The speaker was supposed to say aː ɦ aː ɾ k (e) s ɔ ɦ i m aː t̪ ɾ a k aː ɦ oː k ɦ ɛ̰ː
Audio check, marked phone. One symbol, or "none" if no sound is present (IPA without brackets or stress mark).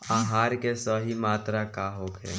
e